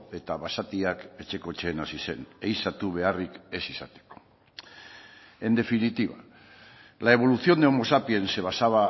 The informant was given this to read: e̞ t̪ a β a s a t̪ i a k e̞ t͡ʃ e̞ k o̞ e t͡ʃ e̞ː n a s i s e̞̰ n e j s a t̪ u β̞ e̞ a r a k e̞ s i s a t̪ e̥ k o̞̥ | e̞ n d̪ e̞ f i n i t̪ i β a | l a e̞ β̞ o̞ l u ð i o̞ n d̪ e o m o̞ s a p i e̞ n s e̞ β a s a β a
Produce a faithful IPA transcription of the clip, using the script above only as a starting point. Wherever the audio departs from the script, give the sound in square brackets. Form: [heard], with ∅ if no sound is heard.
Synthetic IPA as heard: e̞ t̪ a β a s a t̪ i a k e̞ t͡ʃ e̞ k o̞ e t͡ʃ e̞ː n a s i s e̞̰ n e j s a t̪ u β̞ e̞ a r [i] k e̞ s i s a t̪ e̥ k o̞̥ | e̞ n d̪ e̞ f i n i t̪ i β a | l a e̞ β̞ o̞ l u [θ] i o̞ n d̪ e o m o̞ s a p i e̞ n s e̞ β a s a β a